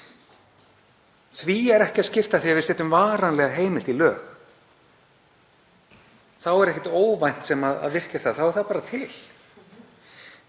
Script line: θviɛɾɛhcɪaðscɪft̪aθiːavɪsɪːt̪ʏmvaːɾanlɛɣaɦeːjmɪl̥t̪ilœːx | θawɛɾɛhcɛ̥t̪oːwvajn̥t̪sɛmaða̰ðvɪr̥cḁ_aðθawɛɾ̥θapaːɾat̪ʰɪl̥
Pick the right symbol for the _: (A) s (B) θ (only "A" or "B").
B